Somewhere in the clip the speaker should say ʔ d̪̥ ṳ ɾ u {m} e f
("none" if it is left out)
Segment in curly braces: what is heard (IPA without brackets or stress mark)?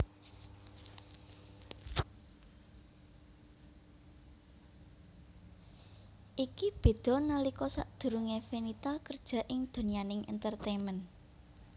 ŋ